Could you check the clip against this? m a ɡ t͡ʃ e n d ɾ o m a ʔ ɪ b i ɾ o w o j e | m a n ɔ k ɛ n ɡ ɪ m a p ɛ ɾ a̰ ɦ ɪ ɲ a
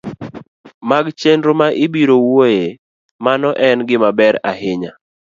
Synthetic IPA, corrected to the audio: m a ɡ t͡ʃ e n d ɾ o m a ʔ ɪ b i ɾ o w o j e | m a n ɔ ʔ ɛ n ɡ ɪ m a b ɛ ɾ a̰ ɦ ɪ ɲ a

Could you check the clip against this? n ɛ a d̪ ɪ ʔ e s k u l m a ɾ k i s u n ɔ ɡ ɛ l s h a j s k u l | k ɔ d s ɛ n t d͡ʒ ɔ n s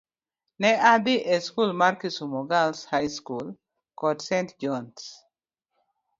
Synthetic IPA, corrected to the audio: n ɛ a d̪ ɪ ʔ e s k u l m a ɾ k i s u m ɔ ɡ a l s h a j s k u l | k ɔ d s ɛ n t d͡ʒ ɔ n s

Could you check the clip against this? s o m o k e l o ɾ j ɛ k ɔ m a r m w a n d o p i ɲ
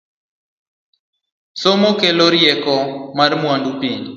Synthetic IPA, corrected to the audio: s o m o k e l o ɾ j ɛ k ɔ m a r m w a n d u p i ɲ

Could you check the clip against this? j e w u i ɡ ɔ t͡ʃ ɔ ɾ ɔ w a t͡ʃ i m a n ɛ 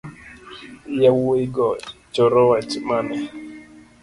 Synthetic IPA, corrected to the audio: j a w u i ɡ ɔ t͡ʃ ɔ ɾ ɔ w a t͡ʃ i m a n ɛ

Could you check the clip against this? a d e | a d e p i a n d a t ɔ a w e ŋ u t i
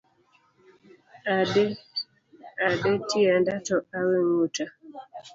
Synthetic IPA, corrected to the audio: a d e | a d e t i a n d a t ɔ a w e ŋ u t a

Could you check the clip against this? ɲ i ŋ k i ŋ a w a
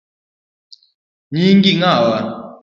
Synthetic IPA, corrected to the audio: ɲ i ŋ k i ŋ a w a

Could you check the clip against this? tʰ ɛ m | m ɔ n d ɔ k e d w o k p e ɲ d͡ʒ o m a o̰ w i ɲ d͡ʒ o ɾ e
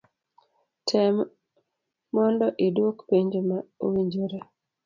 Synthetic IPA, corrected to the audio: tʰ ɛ m | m ɔ n d ɔ ʔ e d w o k p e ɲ d͡ʒ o m a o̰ w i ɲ d͡ʒ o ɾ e

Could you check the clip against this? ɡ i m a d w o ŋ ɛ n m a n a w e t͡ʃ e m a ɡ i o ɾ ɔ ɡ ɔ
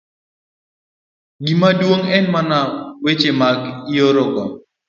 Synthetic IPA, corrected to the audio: ɡ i m a d w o ŋ ɛ n m a n a w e t͡ʃ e m a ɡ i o ɾ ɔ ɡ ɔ

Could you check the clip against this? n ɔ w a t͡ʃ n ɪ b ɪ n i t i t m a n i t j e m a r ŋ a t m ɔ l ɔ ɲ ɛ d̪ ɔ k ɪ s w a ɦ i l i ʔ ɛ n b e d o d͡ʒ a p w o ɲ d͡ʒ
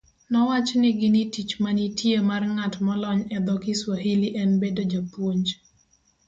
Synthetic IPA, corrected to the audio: n ɔ w a t͡ʃ n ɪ ɡ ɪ n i t i t͡ʃ m a n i t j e m a r ŋ a t m ɔ l ɔ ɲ ɛ d̪ ɔ k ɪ s w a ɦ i l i ʔ ɛ n b e d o d͡ʒ a p w o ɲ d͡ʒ

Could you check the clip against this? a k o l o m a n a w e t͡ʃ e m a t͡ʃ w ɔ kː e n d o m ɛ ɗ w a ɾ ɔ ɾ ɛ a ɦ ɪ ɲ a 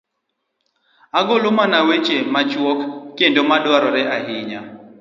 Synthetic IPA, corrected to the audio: a ɡ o l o m a n a w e t͡ʃ e m a t͡ʃ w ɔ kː e n d o m a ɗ w a ɾ ɔ ɾ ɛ a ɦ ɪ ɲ a

